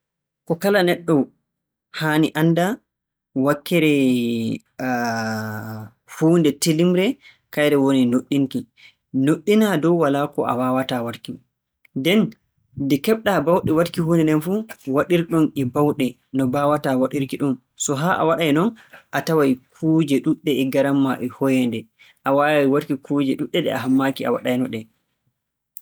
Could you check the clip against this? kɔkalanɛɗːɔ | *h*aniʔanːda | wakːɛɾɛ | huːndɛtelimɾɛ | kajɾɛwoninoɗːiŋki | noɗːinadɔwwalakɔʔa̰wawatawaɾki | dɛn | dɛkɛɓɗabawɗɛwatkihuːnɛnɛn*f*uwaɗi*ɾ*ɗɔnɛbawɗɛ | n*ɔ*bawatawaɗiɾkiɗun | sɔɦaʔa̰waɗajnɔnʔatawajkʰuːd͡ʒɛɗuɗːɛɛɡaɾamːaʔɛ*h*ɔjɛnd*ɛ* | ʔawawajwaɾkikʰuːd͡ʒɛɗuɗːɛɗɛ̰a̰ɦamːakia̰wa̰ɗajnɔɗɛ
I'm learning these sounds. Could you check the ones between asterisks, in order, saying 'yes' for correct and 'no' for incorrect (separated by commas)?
yes, yes, yes, yes, yes, yes